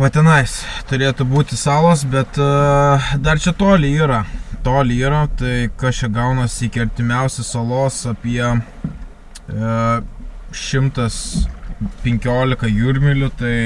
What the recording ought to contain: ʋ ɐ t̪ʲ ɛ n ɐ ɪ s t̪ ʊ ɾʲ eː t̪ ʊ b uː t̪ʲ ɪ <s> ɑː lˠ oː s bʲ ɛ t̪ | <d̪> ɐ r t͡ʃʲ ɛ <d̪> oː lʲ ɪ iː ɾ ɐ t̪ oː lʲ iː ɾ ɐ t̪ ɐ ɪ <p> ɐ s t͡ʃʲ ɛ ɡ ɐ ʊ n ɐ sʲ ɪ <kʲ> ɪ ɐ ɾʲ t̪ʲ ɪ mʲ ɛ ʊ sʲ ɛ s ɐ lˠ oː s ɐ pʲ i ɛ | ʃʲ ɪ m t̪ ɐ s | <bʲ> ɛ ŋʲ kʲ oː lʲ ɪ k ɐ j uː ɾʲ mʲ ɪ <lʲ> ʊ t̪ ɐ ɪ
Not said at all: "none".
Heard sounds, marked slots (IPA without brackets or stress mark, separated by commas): s, d̪, t̪, k, kʲ, pʲ, lʲ